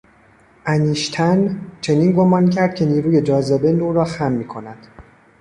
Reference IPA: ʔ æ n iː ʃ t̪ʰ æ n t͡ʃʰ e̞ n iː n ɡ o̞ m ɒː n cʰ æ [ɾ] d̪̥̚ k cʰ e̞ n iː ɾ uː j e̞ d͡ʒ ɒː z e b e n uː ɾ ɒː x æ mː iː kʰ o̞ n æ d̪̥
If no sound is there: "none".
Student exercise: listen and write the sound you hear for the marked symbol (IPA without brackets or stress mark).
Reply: ɾ